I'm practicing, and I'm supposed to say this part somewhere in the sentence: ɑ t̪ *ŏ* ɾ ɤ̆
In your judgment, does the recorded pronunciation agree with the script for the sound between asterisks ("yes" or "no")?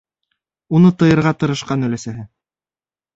no